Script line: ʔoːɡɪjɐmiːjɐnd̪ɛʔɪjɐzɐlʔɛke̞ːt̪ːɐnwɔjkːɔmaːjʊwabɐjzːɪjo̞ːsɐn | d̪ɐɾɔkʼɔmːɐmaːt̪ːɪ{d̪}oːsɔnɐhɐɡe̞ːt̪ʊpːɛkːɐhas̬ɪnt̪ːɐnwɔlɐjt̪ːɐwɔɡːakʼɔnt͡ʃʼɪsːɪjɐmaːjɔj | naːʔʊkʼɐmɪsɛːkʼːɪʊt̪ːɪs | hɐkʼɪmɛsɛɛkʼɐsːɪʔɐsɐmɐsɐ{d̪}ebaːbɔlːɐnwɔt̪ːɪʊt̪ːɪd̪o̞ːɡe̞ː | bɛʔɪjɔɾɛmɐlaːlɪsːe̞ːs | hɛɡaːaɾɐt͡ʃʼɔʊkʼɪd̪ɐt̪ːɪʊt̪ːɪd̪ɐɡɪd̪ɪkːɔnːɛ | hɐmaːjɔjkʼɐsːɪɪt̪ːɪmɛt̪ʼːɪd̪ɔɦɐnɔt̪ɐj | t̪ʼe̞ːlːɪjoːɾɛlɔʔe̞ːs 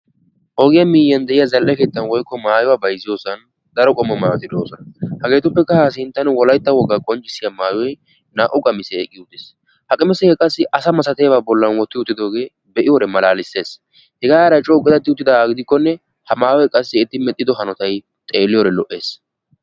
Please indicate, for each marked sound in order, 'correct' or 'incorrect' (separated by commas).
correct, incorrect